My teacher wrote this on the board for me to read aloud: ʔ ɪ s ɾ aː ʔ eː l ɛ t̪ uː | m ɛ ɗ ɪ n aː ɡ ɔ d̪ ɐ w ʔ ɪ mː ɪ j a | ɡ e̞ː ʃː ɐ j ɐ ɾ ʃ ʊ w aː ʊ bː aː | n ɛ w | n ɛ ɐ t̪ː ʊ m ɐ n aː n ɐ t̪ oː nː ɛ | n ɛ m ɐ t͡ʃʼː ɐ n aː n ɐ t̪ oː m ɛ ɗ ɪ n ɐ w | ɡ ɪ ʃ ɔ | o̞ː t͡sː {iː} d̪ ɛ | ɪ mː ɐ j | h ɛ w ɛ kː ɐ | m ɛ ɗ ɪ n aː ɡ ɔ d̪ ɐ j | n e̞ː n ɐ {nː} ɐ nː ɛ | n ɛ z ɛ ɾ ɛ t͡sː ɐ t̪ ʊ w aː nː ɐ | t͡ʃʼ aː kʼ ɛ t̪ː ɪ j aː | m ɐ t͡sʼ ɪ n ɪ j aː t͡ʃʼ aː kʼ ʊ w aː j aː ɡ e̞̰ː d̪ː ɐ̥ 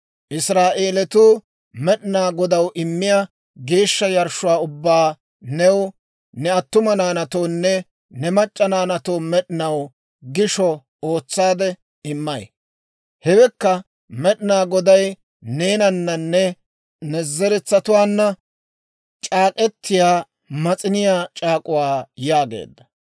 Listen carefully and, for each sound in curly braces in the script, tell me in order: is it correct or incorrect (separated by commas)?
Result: incorrect, correct